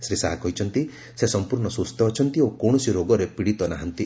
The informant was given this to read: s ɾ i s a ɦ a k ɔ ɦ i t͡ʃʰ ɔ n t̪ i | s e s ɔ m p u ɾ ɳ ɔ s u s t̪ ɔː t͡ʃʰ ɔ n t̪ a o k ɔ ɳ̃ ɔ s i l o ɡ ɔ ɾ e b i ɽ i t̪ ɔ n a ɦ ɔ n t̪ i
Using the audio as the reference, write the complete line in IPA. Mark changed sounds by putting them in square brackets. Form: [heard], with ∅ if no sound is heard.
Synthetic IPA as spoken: s ɾ i s a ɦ a k ɔ ɦ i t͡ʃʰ ɔ n t̪ i | s e s ɔ m p u ɾ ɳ ɔ s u s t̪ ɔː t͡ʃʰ ɔ n t̪ [i] o k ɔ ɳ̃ ɔ s i [ɾ] o ɡ ɔ ɾ e [p] i ɽ i t̪ ɔ n a ɦ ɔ n t̪ i

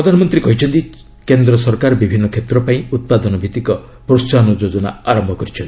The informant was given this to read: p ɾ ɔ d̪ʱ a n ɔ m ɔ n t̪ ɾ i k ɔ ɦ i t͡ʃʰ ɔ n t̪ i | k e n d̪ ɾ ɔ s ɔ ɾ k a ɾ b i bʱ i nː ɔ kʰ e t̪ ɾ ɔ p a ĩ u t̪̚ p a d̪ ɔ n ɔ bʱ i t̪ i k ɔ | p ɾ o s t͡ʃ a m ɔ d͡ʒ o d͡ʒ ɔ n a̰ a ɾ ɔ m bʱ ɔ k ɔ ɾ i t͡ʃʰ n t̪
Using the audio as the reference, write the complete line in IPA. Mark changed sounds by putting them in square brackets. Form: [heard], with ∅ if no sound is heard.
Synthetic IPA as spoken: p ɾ ɔ d̪ʱ a n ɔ m ɔ n t̪ ɾ i k ɔ ɦ i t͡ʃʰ ɔ n t̪ i | k e n d̪ ɾ ɔ s ɔ ɾ k a ɾ b i bʱ i nː ɔ kʰ e t̪ ɾ ɔ p a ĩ u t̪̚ p a d̪ ɔ n ɔ bʱ i t̪ i k ɔ | p ɾ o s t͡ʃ a [n] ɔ d͡ʒ o d͡ʒ ɔ n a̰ a ɾ ɔ m bʱ ɔ k ɔ ɾ i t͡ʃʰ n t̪

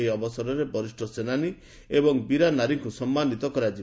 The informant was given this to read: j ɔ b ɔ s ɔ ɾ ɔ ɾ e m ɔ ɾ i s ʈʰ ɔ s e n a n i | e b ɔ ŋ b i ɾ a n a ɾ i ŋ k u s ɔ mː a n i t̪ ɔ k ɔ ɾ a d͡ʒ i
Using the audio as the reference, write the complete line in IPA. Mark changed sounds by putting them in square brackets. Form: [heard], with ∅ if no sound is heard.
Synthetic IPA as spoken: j ɔ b ɔ s ɔ ɾ ɔ ɾ e [b] ɔ ɾ i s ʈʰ ɔ s e n a n i | e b ɔ ŋ b i ɾ a n a ɾ i ŋ k u s ɔ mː a n i t̪ ɔ k ɔ ɾ a d͡ʒ i

